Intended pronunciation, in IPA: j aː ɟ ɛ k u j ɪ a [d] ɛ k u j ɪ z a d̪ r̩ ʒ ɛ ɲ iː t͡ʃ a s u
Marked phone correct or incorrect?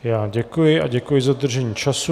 incorrect: ɟ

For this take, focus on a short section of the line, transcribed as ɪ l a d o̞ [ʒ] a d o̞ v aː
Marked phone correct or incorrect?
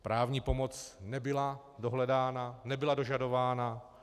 correct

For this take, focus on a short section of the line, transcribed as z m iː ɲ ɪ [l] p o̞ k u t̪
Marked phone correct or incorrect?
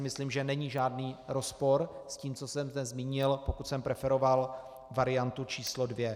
correct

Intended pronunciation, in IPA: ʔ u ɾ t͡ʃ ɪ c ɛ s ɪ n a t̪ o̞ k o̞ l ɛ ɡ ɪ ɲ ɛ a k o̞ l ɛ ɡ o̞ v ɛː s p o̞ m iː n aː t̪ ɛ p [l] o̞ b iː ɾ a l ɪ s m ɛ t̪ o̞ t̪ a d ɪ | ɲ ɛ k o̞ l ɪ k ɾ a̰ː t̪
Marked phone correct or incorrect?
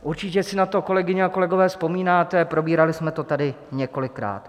incorrect: ɾ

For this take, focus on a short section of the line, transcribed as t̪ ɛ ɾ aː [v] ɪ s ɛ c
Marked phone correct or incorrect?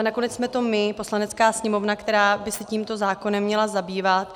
incorrect: b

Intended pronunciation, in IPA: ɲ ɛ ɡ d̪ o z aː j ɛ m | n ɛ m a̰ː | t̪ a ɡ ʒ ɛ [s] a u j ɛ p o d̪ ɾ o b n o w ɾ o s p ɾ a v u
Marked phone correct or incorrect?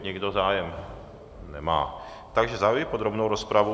incorrect: z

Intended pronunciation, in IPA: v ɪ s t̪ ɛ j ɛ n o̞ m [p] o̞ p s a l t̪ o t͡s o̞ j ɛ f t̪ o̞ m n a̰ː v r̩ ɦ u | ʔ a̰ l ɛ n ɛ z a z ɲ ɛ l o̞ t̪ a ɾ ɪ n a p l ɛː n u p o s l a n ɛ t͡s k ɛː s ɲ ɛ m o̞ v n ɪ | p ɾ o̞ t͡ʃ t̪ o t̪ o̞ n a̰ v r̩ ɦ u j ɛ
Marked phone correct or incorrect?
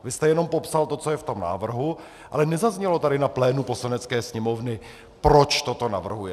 correct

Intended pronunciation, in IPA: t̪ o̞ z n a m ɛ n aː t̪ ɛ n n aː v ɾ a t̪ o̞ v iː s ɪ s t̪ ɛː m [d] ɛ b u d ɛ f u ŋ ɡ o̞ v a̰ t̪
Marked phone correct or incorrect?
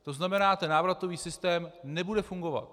incorrect: n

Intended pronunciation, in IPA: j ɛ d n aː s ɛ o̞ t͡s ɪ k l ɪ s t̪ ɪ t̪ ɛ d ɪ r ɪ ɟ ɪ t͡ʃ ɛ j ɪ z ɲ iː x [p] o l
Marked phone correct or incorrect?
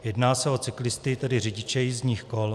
incorrect: k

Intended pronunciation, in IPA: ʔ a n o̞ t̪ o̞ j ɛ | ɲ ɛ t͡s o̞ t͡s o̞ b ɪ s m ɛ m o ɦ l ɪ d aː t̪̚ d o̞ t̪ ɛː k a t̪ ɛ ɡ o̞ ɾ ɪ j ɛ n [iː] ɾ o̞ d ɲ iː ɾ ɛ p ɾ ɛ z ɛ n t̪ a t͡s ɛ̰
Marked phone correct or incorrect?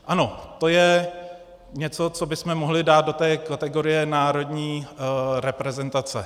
incorrect: aː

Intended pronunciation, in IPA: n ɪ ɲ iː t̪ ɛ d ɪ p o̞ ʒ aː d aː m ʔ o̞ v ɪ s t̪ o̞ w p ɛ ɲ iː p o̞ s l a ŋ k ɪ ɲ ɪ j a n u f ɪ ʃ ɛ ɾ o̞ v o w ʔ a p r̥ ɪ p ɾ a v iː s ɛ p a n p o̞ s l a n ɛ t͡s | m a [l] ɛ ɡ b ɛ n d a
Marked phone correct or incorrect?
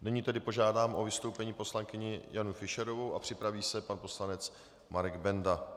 incorrect: ɾ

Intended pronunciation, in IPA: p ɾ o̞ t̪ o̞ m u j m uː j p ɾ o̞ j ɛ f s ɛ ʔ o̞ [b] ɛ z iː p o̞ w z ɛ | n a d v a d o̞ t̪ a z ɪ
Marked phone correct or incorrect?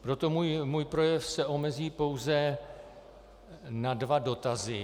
incorrect: m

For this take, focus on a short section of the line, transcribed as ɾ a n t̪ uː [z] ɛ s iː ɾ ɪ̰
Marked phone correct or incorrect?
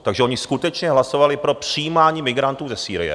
correct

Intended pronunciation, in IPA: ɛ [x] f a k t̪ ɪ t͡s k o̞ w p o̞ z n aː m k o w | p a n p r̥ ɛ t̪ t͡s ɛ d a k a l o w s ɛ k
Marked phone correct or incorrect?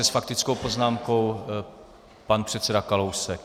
incorrect: s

